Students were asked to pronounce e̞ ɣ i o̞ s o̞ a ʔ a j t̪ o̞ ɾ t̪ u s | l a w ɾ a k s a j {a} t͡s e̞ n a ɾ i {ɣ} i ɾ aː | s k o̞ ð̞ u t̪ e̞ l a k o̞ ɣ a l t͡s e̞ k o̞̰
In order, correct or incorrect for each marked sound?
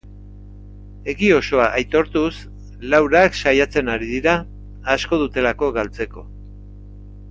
correct, incorrect

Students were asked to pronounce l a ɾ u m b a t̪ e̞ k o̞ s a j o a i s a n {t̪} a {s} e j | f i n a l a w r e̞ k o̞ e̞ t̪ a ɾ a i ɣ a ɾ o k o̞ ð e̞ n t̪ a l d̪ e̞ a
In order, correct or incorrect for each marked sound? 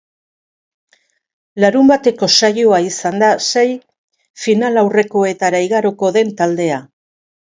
incorrect, correct

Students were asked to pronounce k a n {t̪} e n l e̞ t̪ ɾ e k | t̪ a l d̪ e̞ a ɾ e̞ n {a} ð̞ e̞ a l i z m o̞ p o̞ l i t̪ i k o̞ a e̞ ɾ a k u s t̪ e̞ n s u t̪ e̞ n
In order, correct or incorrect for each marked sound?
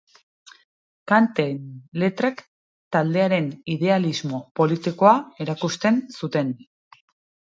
correct, incorrect

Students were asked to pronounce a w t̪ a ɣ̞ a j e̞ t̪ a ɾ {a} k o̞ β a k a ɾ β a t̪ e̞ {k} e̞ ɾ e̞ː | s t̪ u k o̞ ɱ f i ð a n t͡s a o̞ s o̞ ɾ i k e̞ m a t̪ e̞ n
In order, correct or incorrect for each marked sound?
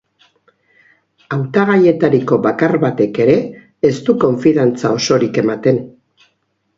incorrect, correct

